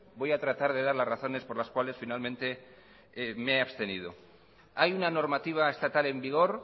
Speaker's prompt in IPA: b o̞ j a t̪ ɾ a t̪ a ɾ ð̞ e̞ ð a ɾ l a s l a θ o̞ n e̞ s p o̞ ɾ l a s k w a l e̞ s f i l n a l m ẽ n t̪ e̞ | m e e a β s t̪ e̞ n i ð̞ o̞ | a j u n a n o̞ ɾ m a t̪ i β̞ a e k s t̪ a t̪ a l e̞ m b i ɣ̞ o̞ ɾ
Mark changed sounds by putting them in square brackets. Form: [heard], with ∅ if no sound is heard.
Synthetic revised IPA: b o̞ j a t̪ ɾ a t̪ a ɾ ð̞ e̞ ð a ɾ l a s [r] a θ o̞ n e̞ s p o̞ ɾ l a s k w a l e̞ s f i [∅] n a l m ẽ n t̪ e̞ | m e e a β s t̪ e̞ n i ð̞ o̞ | a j u n a n o̞ ɾ m a t̪ i β̞ a e [∅] s t̪ a t̪ a l e̞ m b i ɣ̞ o̞ ɾ